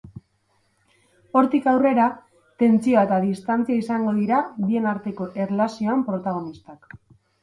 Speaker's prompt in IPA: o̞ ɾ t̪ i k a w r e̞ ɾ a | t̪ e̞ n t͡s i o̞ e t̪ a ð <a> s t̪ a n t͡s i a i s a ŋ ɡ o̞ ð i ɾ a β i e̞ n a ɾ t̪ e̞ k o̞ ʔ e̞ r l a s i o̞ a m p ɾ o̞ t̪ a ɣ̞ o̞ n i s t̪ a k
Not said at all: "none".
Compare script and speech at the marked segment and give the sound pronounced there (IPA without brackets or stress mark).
i